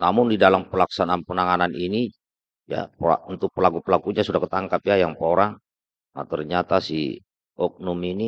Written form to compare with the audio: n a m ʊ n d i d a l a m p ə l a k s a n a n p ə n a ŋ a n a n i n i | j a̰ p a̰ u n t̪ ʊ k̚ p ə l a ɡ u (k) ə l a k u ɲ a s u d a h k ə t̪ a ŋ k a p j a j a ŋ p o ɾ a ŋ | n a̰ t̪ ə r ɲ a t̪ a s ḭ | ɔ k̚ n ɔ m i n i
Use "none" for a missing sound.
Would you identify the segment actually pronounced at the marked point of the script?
p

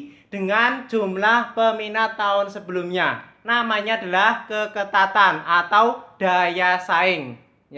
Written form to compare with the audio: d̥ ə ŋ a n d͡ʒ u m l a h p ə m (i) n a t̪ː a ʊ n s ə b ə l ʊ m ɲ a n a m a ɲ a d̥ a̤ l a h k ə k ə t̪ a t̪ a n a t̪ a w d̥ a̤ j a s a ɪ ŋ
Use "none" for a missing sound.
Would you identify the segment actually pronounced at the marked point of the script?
i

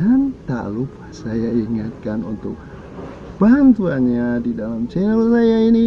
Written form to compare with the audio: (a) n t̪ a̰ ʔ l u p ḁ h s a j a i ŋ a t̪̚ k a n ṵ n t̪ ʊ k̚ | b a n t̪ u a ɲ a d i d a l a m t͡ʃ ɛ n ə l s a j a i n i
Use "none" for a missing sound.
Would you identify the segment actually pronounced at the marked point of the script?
a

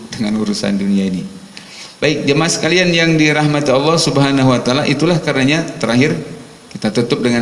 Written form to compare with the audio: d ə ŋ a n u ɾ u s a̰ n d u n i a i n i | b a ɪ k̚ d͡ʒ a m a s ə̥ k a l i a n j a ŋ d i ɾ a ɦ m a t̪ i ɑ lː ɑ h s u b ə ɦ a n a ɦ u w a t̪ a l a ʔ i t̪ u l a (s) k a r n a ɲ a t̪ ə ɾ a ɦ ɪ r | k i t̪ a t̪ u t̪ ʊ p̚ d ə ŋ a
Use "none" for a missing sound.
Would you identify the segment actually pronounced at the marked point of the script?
h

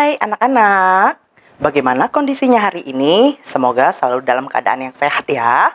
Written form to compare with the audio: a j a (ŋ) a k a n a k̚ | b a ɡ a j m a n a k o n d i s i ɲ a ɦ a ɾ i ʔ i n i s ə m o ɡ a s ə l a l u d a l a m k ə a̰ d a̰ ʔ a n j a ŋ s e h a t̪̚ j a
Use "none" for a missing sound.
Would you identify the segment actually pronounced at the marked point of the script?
n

